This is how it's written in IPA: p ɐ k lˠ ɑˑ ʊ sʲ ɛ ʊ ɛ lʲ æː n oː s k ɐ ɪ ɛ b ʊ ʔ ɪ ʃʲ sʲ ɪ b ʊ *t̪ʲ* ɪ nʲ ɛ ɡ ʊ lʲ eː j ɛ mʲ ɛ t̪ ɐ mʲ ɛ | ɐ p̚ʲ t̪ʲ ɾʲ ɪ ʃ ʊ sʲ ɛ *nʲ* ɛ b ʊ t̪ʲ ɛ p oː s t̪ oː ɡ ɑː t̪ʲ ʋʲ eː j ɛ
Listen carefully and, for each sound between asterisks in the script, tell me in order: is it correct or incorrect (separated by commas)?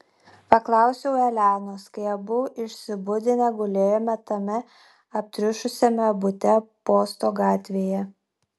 incorrect, incorrect